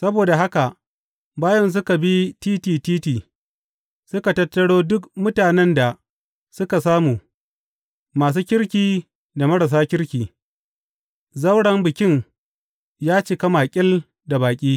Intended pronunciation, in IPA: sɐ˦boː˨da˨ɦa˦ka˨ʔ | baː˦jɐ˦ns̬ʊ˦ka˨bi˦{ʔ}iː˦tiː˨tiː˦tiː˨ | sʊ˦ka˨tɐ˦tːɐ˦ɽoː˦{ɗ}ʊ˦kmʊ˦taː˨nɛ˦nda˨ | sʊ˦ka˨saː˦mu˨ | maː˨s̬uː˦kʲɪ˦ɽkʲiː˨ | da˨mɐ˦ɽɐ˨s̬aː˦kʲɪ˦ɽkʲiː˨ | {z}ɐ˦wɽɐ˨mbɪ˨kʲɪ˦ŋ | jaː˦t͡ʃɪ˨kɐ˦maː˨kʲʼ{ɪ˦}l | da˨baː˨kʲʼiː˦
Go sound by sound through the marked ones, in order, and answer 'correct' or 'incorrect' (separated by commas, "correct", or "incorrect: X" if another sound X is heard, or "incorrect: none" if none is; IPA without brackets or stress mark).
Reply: incorrect: t, incorrect: d, correct, correct